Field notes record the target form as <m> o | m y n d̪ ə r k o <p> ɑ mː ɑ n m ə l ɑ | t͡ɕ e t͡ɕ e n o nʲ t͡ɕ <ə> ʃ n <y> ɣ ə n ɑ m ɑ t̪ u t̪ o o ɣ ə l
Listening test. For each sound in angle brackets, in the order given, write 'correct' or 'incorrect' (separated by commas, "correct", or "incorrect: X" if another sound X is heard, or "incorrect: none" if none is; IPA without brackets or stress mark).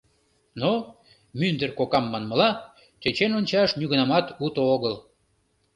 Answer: incorrect: n, incorrect: k, incorrect: ɑ, correct